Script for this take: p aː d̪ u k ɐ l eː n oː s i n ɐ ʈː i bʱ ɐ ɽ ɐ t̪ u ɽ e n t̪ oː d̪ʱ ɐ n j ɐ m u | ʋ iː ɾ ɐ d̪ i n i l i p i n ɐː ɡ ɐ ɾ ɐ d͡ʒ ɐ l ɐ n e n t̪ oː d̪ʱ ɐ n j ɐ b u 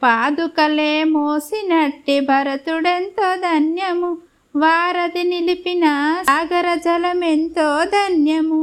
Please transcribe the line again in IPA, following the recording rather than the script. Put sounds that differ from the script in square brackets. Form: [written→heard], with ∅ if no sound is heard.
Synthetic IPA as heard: p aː d̪ u k ɐ l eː [n→m] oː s i n ɐ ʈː i bʱ ɐ [ɽ→ɾ] ɐ t̪ u ɽ e n t̪ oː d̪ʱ ɐ n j ɐ m u | ʋ [iː→aː] ɾ ɐ d̪ i n i l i p i n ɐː ɡ ɐ ɾ ɐ d͡ʒ ɐ l ɐ [n→m] e n t̪ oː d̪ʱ ɐ n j ɐ [b→m] u